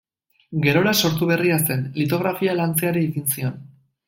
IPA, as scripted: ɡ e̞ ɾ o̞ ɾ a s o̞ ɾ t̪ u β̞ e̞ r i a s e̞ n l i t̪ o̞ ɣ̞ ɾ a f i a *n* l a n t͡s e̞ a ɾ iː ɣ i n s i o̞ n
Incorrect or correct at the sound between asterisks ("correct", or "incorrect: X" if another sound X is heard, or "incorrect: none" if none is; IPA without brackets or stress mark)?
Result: incorrect: none